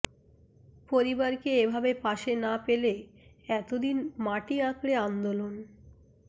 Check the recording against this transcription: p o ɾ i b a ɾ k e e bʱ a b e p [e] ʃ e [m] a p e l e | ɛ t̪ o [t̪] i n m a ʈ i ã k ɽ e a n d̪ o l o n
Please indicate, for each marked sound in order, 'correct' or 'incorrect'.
incorrect: a, incorrect: n, incorrect: d̪

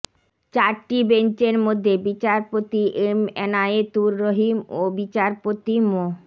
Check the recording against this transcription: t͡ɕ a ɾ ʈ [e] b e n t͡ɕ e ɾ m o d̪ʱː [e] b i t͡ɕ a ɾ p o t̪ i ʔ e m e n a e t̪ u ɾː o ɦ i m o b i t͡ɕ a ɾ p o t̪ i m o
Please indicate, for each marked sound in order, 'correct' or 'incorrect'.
incorrect: i, correct

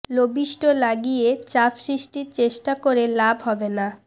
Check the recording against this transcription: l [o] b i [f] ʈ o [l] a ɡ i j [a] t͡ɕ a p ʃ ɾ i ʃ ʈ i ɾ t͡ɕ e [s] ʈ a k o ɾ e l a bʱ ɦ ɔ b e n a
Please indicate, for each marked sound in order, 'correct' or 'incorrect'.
correct, incorrect: ʃ, correct, incorrect: e, incorrect: ʃ

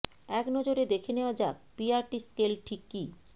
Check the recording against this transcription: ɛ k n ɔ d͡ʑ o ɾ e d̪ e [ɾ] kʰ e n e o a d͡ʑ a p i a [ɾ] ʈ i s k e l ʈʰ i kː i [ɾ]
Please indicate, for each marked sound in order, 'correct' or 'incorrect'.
incorrect: none, correct, incorrect: none

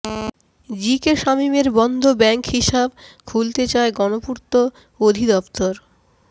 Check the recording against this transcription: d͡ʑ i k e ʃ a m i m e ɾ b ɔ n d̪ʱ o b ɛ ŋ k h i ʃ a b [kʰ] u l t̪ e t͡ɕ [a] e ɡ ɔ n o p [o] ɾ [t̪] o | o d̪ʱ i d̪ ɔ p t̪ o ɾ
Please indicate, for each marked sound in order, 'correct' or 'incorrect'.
correct, correct, incorrect: u, correct

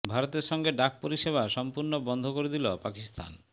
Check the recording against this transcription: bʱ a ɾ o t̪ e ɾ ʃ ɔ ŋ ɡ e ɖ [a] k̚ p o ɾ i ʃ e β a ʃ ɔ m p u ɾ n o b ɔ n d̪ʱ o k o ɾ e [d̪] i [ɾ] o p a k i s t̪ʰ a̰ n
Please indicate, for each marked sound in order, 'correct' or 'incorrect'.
correct, correct, incorrect: l

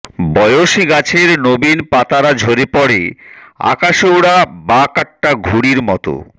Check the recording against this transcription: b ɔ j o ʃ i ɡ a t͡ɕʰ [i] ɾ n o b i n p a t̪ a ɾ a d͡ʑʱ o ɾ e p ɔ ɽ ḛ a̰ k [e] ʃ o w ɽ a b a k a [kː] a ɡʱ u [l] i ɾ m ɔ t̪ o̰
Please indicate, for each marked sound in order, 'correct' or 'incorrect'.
incorrect: e, incorrect: a, incorrect: ʈː, incorrect: ɽ

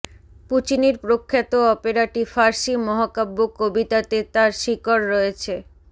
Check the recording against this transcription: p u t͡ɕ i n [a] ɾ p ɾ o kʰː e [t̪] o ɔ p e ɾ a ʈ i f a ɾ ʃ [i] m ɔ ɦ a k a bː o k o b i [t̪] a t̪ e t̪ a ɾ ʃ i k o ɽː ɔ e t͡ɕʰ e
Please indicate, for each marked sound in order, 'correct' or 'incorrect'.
incorrect: i, correct, correct, correct

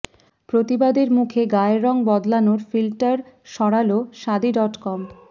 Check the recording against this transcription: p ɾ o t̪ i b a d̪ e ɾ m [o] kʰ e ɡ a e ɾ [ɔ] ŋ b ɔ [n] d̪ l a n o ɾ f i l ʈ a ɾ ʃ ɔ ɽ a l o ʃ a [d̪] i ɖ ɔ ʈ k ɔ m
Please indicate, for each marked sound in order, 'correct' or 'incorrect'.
incorrect: u, correct, incorrect: none, correct

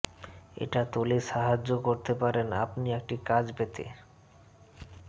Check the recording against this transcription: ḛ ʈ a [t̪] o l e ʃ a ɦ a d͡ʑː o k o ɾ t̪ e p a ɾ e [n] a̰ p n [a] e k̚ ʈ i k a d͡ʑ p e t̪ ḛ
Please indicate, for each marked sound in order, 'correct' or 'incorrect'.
correct, correct, incorrect: i

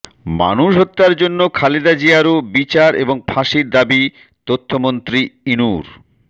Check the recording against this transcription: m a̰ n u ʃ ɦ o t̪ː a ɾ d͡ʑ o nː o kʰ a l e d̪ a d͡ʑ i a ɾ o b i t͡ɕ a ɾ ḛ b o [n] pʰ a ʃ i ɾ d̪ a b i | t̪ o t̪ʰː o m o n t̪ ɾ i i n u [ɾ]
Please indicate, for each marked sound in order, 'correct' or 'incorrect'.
incorrect: ŋ, correct

